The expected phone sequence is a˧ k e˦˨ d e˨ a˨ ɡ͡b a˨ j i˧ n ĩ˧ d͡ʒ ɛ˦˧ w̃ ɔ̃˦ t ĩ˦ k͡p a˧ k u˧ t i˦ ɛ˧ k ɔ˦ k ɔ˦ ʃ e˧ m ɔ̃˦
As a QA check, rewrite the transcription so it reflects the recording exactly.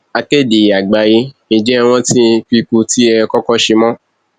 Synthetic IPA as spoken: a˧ k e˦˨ d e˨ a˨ ɡ͡b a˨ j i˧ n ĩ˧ d͡ʒ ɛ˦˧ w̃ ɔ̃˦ t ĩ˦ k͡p i˧ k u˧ t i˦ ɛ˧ k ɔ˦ k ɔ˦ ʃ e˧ m ɔ̃˦